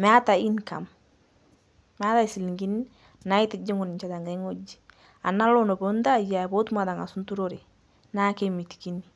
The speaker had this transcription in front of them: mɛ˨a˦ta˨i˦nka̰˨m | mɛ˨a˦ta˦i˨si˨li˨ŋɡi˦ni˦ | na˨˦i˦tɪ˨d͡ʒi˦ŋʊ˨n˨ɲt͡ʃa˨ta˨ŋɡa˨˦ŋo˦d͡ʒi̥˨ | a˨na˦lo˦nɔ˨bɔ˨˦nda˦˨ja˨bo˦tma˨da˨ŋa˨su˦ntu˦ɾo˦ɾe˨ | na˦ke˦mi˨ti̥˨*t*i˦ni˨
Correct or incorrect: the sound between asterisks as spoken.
incorrect: k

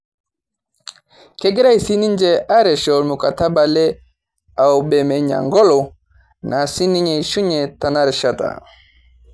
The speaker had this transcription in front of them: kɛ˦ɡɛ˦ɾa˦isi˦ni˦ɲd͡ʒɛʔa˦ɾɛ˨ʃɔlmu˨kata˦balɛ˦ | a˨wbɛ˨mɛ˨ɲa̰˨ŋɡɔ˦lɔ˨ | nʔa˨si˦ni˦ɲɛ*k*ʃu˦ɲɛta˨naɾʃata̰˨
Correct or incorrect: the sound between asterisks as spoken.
incorrect: none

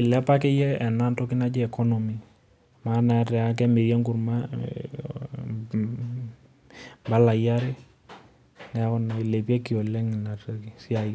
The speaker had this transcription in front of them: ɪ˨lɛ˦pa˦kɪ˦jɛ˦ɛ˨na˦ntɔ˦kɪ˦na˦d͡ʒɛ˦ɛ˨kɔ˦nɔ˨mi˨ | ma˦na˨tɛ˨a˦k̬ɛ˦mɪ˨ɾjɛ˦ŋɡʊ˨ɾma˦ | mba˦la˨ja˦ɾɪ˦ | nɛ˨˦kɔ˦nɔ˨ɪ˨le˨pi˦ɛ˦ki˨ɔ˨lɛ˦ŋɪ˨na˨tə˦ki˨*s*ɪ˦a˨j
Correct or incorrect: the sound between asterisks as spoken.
correct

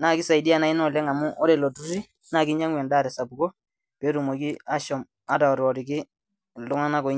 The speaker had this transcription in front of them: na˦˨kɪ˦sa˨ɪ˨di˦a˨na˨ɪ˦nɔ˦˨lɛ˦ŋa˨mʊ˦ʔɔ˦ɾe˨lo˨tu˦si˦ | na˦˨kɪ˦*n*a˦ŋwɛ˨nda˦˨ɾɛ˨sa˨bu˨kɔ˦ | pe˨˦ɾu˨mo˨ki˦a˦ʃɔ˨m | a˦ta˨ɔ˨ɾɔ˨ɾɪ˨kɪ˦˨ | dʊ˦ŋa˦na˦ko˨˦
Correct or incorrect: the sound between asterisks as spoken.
incorrect: ɲ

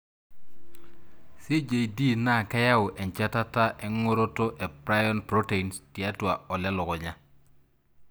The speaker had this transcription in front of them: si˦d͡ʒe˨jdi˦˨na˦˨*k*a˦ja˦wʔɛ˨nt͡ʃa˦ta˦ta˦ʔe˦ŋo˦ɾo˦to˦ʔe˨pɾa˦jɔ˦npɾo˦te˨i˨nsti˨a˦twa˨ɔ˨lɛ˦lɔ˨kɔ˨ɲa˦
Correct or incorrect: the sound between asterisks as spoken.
correct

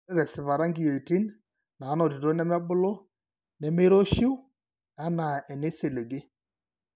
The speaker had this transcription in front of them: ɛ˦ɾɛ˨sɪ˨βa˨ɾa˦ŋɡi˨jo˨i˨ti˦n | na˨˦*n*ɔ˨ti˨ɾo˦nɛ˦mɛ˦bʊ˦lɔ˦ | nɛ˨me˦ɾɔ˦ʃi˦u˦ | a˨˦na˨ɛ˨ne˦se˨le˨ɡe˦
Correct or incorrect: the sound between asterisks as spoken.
correct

